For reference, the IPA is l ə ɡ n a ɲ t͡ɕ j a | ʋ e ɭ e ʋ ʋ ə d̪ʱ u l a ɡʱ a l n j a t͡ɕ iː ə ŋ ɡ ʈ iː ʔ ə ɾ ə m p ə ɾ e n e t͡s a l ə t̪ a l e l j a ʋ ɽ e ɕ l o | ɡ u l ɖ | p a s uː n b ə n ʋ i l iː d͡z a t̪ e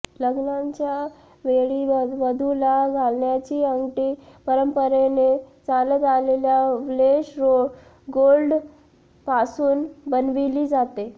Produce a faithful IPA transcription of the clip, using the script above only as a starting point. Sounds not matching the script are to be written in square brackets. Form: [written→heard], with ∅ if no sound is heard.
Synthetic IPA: l ə ɡ n a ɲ t͡ɕ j a | ʋ e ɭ [e→i] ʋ ʋ ə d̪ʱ u l a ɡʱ a l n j a t͡ɕ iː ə ŋ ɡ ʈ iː [ʔ→p] ə ɾ ə m p ə ɾ e n e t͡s a l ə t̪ a l e l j a ʋ [ɽ→l] e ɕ [l→ɾ] o | ɡ [u→o] l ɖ | p a s uː n b ə n ʋ i l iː d͡z a t̪ e

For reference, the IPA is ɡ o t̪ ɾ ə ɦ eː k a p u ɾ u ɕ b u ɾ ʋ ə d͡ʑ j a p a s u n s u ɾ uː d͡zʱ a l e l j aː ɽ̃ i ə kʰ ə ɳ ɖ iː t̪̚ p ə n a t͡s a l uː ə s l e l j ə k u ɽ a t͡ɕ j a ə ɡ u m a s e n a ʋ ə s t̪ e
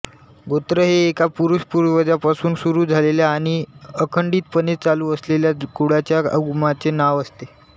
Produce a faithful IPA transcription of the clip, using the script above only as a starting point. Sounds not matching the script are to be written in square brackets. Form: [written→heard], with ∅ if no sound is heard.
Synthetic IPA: ɡ o t̪ ɾ ə ɦ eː k a p u ɾ u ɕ [b→p] u ɾ ʋ ə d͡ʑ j a p a s [u→uː] n s u ɾ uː d͡zʱ a l e l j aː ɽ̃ i ə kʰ ə ɳ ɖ iː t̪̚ p ə n [a→e] t͡s a l uː ə s l e l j [ə→a] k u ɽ a t͡ɕ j a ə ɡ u m a [s→t͡s] e n a ʋ ə s t̪ e

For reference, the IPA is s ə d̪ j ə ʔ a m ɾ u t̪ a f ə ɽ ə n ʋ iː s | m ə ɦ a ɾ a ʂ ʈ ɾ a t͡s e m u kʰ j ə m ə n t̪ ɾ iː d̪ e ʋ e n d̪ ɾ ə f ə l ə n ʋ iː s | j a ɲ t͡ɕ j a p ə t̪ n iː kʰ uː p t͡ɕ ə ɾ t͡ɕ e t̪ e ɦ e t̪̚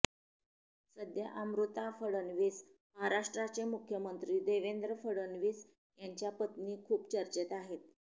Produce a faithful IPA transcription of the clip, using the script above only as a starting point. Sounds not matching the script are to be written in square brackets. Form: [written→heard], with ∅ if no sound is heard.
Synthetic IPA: s ə d̪ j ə ʔ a m ɾ u t̪ a f ə ɽ ə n ʋ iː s | m ə ɦ a ɾ a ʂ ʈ ɾ a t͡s e m u kʰ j ə m ə n t̪ ɾ iː d̪ e ʋ e n d̪ ɾ ə f ə [l→ɽ] ə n ʋ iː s | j a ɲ t͡ɕ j a p ə t̪ n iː kʰ uː p t͡ɕ ə ɾ t͡ɕ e t̪ [e→a] ɦ e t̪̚

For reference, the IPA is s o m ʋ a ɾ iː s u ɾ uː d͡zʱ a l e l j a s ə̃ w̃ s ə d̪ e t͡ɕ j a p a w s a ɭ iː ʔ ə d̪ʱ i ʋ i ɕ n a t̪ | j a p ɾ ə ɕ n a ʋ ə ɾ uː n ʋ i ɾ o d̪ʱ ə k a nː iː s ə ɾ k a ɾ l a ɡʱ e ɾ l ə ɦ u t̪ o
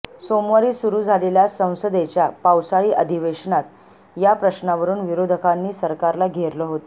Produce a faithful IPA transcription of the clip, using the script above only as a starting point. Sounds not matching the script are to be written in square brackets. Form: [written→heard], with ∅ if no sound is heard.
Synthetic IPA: s o m ʋ a ɾ iː s u ɾ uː d͡zʱ a l e l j a s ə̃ w̃ s ə d̪ e t͡ɕ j a p a w s a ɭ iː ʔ ə d̪ʱ i ʋ [i→e] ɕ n a t̪ | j a p ɾ ə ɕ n a ʋ ə ɾ uː n ʋ i ɾ o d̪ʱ ə k a nː iː s ə ɾ k a ɾ l a ɡʱ e ɾ l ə ɦ [u→o] t̪ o

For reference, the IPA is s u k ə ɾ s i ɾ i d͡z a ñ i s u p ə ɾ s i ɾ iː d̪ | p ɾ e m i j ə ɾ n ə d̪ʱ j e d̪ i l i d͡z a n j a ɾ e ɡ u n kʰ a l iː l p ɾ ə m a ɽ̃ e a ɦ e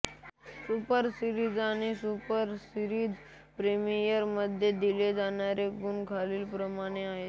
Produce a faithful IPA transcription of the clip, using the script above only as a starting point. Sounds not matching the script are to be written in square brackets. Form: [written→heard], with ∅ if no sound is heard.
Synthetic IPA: s u [k→p] ə ɾ s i ɾ i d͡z a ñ i s u p ə ɾ s i ɾ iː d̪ | p ɾ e m i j ə ɾ [n→m] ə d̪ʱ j e d̪ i l [i→e] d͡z a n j a ɾ e ɡ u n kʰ a l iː l p ɾ ə m a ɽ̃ e a ɦ e

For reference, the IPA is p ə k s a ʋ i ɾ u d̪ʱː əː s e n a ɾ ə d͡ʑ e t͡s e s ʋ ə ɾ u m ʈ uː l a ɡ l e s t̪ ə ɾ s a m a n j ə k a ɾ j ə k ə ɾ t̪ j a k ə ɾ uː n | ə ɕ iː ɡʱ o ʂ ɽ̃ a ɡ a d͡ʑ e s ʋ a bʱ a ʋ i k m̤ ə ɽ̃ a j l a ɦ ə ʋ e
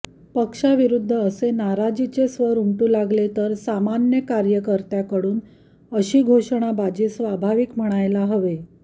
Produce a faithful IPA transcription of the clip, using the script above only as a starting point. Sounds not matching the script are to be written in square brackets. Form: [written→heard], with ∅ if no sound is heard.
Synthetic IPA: p ə k [s→ʂ] a ʋ i ɾ u d̪ʱː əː s e n a ɾ [ə→a] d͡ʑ [e→i] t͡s e s ʋ ə ɾ u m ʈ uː l a ɡ l e [s→∅] t̪ ə ɾ s a m a n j ə k a ɾ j ə k ə ɾ t̪ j a k ə [ɾ→ɽ] uː n | ə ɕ iː ɡʱ o ʂ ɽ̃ a [ɡ→b] a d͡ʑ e s ʋ a bʱ a ʋ i k m̤ ə ɽ̃ a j l a ɦ ə ʋ e

